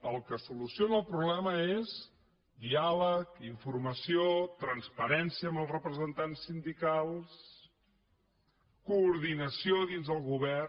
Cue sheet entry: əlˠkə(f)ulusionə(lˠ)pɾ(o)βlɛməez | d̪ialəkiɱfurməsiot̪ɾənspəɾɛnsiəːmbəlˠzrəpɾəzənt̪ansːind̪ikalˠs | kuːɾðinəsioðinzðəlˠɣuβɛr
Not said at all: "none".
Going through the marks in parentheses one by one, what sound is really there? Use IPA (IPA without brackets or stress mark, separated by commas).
s, lˠ, u